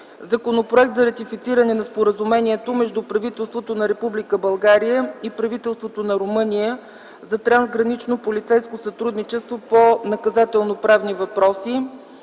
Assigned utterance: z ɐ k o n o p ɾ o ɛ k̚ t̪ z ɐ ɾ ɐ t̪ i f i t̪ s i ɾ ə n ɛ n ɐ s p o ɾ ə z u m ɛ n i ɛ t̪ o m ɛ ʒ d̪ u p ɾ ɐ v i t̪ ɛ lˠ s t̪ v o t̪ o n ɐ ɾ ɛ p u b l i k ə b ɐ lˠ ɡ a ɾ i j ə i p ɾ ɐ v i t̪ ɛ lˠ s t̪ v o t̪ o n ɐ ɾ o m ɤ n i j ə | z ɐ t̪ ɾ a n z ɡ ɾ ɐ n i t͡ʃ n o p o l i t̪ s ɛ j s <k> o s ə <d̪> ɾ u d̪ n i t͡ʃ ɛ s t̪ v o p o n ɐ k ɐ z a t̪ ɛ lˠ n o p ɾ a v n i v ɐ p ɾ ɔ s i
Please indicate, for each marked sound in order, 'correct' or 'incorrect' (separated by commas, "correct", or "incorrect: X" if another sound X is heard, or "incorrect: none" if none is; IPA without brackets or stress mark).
correct, incorrect: t̪